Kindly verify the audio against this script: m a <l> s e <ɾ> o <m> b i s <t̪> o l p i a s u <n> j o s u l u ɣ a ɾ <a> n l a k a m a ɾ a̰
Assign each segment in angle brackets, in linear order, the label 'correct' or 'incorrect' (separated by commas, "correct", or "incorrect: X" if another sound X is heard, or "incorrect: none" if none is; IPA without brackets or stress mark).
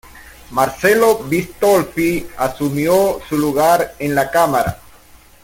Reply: incorrect: ɾ, incorrect: l, incorrect: none, correct, incorrect: m, incorrect: e